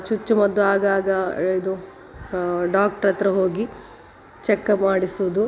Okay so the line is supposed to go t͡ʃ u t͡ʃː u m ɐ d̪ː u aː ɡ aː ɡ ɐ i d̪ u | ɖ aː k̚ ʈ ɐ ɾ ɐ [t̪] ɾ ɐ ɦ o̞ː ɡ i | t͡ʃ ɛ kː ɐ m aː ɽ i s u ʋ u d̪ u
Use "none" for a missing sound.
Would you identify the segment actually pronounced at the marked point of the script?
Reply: t̪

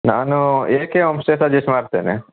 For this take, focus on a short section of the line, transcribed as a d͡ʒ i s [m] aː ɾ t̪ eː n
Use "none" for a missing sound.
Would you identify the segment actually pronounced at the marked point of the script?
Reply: m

